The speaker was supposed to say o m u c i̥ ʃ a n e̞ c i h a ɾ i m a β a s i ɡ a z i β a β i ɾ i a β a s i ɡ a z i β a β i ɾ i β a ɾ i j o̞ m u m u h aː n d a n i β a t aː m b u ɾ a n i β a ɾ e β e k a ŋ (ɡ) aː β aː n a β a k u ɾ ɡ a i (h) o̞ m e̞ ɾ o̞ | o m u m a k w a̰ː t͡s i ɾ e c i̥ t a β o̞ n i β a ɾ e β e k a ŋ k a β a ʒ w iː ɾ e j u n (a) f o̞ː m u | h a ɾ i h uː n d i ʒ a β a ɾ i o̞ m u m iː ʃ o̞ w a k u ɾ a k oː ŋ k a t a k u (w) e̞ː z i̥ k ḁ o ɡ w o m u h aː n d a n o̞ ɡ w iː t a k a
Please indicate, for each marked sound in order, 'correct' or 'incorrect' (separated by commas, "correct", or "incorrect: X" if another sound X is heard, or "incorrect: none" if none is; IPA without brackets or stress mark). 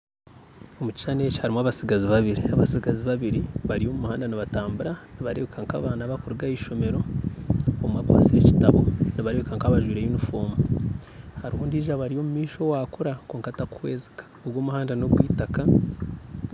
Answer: incorrect: k, incorrect: ʃ, incorrect: i, correct